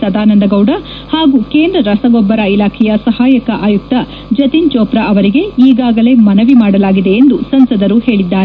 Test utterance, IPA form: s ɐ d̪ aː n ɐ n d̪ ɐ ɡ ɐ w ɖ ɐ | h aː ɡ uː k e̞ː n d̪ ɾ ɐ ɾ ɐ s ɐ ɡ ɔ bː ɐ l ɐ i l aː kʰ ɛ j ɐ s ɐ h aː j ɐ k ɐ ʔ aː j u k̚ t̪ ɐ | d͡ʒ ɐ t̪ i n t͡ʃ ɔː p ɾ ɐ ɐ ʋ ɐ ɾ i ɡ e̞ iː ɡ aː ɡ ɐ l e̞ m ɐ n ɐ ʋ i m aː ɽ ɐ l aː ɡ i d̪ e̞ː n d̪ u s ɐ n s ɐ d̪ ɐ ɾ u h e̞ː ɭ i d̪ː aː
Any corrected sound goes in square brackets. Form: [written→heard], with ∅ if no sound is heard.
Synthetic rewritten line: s ɐ d̪ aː n ɐ n d̪ ɐ ɡ ɐ w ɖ ɐ | h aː ɡ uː k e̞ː n d̪ ɾ ɐ ɾ ɐ s ɐ ɡ ɔ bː ɐ [l→ɾ] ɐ i l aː kʰ ɛ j ɐ s ɐ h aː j ɐ k ɐ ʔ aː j u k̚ t̪ ɐ | d͡ʒ ɐ t̪ i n t͡ʃ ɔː p ɾ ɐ ɐ ʋ ɐ ɾ i ɡ e̞ iː ɡ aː ɡ ɐ l e̞ m ɐ n ɐ ʋ i m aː ɽ ɐ l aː ɡ i d̪ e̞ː n d̪ u s ɐ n s ɐ d̪ ɐ ɾ u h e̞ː ɭ i d̪ː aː